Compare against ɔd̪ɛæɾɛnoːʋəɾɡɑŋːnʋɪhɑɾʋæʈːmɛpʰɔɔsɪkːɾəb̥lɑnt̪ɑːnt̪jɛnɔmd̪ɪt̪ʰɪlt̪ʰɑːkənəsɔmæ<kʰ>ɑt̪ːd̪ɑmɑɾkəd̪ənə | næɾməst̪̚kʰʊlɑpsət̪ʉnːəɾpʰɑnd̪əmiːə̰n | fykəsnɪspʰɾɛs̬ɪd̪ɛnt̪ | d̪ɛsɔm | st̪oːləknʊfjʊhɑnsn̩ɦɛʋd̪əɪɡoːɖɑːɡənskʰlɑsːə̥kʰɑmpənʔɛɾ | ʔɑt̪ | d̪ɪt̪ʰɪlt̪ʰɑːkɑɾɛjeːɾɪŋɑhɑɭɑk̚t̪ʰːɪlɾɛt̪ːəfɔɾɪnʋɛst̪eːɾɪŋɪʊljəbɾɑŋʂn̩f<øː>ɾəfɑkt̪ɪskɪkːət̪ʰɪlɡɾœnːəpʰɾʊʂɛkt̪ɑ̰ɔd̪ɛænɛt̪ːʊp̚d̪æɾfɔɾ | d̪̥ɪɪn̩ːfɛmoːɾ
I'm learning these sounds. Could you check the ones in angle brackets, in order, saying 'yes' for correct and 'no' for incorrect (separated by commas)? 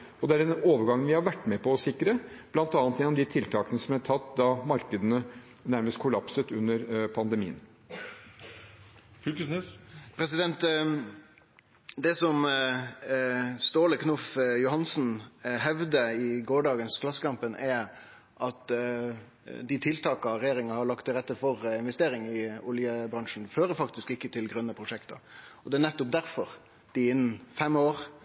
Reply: no, yes